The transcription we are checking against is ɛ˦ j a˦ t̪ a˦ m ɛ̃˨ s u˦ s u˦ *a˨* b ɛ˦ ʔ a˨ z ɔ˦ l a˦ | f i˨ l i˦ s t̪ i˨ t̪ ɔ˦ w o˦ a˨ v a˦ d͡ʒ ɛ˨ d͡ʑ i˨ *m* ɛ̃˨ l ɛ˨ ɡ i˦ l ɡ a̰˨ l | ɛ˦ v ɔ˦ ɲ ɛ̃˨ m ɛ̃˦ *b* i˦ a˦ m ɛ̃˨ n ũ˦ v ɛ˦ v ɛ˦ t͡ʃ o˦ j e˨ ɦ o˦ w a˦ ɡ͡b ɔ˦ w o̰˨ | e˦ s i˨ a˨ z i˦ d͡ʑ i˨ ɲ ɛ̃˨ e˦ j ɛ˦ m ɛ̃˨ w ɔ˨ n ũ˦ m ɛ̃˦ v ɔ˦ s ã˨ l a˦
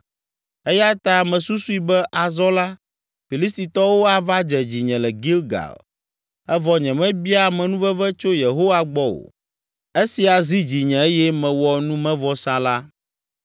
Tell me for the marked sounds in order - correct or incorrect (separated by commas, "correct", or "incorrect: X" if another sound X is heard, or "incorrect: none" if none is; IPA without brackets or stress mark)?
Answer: incorrect: i˨, incorrect: ɲ, correct